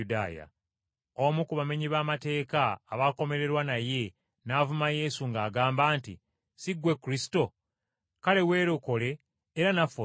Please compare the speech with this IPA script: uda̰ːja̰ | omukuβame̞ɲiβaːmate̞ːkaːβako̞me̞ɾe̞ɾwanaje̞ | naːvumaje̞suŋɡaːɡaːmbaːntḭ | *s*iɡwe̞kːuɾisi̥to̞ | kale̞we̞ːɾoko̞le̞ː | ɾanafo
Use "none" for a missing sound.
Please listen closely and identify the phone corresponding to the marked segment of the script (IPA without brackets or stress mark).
s